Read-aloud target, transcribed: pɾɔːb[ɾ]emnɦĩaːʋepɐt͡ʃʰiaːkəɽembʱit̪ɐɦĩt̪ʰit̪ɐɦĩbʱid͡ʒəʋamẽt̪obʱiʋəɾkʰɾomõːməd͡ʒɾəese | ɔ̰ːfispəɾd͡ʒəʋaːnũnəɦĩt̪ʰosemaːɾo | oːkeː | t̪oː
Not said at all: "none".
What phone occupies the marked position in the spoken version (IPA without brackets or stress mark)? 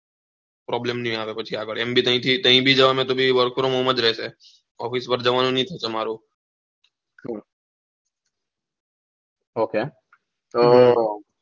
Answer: l